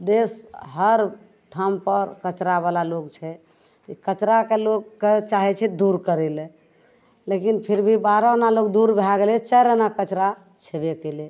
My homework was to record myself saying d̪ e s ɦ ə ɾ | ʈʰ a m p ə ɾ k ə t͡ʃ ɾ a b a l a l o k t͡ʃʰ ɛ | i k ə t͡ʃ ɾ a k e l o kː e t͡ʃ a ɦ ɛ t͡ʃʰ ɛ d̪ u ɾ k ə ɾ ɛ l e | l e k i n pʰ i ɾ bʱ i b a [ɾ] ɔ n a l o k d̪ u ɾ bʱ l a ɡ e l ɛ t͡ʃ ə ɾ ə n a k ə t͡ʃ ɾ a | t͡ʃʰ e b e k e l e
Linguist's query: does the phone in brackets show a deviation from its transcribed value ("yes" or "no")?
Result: no